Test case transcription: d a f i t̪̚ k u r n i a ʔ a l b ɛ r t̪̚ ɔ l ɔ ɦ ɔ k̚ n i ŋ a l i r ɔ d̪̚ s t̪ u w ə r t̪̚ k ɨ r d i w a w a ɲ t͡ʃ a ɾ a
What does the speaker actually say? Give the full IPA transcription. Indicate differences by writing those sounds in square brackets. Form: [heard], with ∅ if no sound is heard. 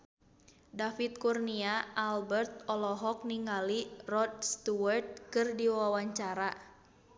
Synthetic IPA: d a f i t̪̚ k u r n i a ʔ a l b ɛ r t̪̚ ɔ l ɔ ɦ ɔ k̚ n i ŋ a l i r ɔ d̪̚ s t̪ u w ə r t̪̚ k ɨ r d i w a w a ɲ t͡ʃ a ɾ a